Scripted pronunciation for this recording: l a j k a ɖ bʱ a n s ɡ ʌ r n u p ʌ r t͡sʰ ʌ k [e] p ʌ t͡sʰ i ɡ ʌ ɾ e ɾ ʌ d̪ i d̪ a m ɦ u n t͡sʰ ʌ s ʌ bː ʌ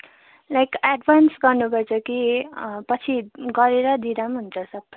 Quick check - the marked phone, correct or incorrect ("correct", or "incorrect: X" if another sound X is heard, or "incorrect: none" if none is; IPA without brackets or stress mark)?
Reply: incorrect: i